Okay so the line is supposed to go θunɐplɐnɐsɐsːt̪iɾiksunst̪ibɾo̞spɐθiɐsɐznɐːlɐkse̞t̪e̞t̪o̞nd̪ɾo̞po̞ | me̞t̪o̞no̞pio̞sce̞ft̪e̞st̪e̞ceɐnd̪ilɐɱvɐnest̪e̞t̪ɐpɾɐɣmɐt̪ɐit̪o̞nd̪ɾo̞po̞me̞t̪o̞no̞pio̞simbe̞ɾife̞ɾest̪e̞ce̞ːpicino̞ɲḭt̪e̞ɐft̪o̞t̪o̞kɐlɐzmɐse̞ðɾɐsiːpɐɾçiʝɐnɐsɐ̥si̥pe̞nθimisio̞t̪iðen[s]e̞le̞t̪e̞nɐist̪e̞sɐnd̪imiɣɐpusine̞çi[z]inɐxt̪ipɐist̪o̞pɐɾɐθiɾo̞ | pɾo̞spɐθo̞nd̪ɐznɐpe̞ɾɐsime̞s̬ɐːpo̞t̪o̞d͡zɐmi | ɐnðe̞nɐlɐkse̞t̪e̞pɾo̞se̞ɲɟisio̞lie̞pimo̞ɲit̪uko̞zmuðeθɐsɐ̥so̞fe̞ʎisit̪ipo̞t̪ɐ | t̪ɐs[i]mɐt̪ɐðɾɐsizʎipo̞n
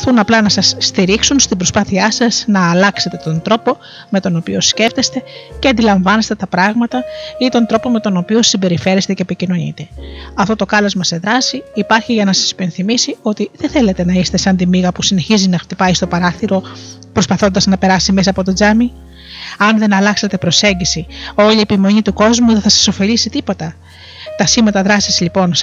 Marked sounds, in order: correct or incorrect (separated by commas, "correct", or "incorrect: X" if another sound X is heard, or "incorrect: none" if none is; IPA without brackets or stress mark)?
incorrect: θ, correct, correct